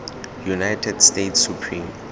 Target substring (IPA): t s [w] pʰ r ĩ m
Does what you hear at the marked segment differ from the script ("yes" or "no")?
yes